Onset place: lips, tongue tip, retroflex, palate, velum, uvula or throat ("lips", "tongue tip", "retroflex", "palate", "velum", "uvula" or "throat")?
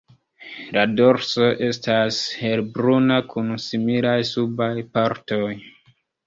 tongue tip